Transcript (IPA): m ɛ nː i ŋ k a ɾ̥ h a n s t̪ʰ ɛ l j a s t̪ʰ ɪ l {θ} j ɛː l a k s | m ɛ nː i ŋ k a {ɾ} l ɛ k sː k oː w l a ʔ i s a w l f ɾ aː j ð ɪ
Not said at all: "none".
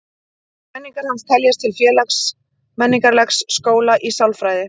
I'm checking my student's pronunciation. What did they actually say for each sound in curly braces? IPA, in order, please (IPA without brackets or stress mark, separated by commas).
f, ɾ